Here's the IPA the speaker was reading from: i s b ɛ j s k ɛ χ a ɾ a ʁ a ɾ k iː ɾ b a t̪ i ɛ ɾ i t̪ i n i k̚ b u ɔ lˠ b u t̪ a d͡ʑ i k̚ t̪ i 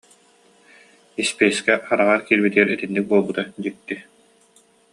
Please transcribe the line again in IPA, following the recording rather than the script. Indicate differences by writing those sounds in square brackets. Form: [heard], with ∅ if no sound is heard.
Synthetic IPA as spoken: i s [p] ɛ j s k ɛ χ a ɾ a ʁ a ɾ k iː ɾ b [i] t̪ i ɛ ɾ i t̪ i [nː] i k̚ b u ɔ lˠ b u t̪ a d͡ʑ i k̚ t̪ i